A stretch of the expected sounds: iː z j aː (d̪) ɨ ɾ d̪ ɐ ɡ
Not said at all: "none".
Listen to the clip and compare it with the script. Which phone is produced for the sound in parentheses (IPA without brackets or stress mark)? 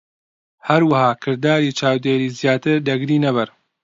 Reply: t̪